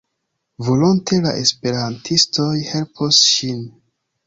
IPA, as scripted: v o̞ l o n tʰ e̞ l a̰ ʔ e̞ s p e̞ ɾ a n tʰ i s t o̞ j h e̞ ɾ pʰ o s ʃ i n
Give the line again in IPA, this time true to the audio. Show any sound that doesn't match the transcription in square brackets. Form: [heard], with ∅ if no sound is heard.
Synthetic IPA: v o̞ l o n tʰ e̞ l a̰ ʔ e̞ s p e̞ ɾ a n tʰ i s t o̞ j h e̞ [l] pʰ o s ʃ i n